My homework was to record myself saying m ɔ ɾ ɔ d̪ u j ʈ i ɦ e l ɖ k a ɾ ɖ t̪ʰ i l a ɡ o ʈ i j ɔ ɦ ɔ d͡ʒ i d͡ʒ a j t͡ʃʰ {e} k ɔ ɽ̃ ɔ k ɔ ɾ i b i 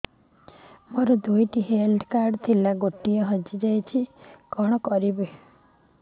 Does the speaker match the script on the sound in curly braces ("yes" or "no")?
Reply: no